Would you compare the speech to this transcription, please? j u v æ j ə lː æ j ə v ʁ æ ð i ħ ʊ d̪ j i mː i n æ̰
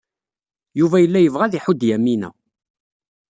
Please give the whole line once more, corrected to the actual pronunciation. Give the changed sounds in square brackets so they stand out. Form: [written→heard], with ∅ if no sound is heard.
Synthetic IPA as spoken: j u v æ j ə lː æ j ə v ʁ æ ð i ħ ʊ d̪ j [i→æ] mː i n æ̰